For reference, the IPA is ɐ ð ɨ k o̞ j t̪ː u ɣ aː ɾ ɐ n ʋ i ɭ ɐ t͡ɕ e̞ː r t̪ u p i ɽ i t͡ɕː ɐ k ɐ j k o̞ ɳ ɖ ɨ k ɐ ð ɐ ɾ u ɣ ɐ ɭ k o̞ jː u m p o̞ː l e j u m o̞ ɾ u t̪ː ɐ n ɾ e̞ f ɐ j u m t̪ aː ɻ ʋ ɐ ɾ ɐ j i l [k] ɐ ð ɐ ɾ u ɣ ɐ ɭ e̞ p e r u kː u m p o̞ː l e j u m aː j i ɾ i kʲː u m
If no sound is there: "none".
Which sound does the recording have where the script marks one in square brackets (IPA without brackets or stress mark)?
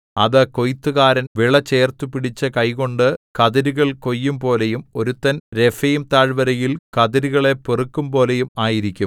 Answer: k